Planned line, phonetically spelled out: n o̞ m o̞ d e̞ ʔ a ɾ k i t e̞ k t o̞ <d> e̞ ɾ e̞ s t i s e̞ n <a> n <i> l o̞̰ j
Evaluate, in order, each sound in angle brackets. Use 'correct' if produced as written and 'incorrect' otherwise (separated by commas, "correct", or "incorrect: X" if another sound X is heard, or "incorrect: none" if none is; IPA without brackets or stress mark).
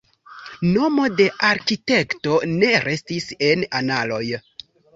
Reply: incorrect: n, correct, incorrect: a